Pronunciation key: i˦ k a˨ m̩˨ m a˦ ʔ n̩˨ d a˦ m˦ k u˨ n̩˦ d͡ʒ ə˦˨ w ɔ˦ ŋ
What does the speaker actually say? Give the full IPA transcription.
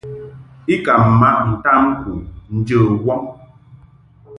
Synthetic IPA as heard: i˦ k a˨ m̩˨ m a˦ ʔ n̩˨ t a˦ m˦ k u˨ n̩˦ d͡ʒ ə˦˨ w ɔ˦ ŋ

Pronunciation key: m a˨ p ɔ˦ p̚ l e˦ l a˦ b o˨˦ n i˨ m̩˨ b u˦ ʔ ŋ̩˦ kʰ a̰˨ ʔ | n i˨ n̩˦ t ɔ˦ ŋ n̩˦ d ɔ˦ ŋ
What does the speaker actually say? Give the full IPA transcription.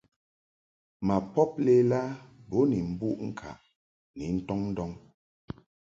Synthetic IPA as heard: m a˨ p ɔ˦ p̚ l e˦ l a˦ b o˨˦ n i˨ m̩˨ b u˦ ʔ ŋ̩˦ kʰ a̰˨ ʔ | n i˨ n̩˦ t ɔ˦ ŋ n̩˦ d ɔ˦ ŋ

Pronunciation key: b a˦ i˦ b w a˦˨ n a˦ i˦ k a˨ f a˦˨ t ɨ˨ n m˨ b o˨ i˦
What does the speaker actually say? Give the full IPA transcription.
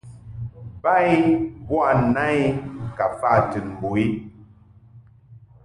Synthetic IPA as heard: b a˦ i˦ b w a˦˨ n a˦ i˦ k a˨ f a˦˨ t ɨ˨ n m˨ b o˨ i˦

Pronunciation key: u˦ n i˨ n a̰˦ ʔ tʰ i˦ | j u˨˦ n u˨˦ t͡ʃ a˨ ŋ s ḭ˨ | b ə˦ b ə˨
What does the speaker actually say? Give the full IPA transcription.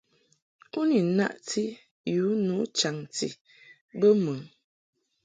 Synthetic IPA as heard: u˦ n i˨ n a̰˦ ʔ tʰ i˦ | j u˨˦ n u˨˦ t͡ʃ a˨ ŋ t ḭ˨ | b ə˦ m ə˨

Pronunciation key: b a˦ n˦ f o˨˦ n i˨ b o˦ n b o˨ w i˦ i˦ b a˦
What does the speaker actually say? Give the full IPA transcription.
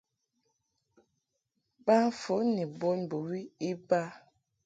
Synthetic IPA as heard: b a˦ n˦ f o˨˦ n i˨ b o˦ n b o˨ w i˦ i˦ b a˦

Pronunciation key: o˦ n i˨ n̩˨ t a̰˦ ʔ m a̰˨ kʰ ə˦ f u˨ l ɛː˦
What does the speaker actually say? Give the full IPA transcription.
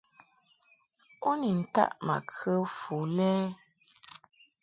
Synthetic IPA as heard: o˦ n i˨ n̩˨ t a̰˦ ʔ m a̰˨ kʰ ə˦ f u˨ l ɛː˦

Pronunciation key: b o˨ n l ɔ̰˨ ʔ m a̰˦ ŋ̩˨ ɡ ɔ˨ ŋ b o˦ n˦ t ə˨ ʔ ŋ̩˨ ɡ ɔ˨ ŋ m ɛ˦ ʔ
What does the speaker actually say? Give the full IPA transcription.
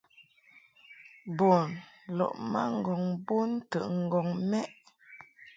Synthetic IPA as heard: b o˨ n l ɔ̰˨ ʔ m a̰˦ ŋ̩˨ ɡ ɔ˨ ŋ b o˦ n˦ t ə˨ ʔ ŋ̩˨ ɡ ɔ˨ ŋ m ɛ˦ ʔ

